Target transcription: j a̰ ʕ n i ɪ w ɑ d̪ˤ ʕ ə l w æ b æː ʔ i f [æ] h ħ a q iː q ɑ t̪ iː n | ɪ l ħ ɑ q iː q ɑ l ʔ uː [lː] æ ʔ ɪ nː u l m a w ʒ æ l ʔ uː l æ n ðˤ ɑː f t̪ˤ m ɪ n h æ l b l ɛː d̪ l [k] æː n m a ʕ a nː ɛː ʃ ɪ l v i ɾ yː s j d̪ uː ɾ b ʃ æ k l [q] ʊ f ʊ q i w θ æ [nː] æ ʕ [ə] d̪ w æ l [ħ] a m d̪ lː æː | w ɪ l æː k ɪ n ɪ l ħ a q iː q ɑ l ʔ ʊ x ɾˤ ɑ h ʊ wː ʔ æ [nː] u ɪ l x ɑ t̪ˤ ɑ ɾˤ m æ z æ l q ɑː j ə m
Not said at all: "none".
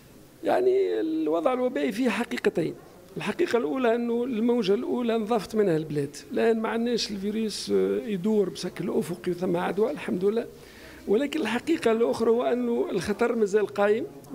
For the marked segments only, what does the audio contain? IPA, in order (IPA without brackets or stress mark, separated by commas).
i, l, ʔ, ʔ, mː, a, ħ, nː